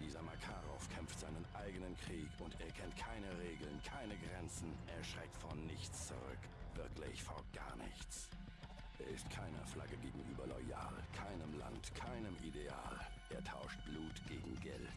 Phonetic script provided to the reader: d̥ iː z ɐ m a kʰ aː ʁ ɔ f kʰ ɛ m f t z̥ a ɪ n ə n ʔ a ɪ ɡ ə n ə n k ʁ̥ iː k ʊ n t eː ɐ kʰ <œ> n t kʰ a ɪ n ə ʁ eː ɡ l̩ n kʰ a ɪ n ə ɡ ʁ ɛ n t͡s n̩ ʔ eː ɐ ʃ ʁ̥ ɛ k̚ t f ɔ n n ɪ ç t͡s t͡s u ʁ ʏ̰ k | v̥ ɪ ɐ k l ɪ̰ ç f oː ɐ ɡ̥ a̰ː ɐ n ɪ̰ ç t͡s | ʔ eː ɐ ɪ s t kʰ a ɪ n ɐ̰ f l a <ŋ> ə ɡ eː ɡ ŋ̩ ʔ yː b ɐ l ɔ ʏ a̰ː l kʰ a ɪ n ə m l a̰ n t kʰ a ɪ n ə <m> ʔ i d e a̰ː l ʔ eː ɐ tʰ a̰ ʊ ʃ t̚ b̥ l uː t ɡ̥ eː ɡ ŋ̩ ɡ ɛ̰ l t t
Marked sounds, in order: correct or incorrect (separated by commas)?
incorrect, incorrect, correct